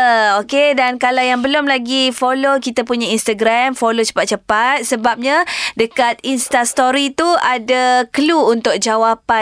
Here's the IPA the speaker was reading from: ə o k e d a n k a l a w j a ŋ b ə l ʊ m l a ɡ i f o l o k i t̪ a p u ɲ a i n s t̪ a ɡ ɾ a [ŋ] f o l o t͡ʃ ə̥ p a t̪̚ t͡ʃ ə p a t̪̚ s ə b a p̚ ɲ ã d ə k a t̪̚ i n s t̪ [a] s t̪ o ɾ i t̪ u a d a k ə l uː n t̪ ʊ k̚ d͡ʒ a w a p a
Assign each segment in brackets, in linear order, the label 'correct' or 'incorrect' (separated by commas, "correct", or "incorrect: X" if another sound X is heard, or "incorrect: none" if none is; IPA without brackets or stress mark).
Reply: incorrect: m, correct